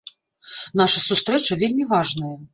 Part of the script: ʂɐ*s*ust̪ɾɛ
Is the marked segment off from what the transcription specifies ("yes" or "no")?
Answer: no